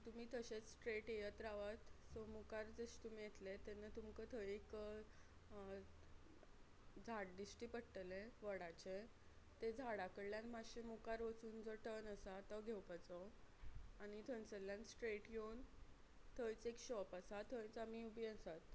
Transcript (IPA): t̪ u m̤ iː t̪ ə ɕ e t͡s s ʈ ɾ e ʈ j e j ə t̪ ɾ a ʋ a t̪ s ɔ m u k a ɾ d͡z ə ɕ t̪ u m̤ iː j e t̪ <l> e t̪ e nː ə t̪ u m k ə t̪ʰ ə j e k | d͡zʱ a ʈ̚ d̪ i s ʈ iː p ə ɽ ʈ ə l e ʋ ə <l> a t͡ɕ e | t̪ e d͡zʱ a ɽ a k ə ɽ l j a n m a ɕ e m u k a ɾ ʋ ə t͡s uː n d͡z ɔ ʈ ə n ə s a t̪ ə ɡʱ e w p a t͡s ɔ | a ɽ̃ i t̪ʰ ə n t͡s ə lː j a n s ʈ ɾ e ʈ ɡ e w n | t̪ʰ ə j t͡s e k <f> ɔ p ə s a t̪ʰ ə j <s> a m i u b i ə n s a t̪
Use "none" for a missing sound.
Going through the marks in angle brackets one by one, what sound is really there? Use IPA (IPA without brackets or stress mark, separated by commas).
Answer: l, ɽ, ɕ, t͡s